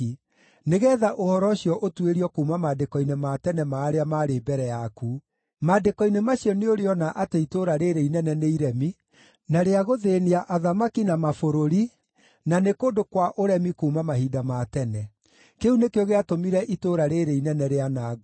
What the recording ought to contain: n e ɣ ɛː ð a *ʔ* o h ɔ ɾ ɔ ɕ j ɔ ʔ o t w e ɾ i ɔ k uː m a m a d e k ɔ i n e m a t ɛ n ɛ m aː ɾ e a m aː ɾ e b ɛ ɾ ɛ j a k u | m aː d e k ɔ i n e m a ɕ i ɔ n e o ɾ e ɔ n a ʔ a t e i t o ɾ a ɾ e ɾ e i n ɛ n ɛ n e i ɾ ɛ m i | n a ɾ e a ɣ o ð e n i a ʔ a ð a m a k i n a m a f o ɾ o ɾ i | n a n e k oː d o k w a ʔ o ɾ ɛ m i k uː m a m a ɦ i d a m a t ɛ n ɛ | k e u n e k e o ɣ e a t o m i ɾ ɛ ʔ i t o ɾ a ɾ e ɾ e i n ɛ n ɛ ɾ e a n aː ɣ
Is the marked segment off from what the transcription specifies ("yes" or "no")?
no